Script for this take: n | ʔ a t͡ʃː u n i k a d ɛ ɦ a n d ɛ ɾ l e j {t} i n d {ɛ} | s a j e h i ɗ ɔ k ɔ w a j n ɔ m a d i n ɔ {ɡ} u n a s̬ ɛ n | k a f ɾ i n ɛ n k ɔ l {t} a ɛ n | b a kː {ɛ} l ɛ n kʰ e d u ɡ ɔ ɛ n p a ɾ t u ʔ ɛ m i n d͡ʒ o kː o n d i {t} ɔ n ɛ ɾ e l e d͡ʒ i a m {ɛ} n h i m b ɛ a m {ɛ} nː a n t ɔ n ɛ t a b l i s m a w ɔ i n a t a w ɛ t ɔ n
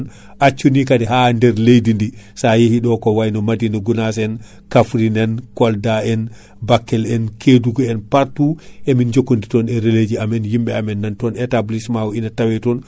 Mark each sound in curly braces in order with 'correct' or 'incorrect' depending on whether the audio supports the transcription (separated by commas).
incorrect, incorrect, correct, incorrect, correct, correct, correct, correct